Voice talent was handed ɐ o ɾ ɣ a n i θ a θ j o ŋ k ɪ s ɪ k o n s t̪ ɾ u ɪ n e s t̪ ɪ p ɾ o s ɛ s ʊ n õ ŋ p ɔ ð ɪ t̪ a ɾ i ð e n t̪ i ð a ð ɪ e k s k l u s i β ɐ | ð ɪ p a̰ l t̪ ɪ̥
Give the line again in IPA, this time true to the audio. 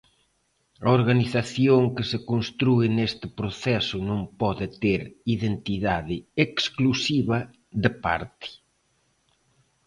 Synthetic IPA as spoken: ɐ o ɾ ɣ a n i θ a θ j o ŋ k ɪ s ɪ k o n s t̪ ɾ u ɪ n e s t̪ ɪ p ɾ o θ ɛ s ʊ n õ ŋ p ɔ ð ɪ t̪ e ɾ i ð e n t̪ i ð a ð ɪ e k s k l u s i β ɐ | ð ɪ p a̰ ɾ t̪ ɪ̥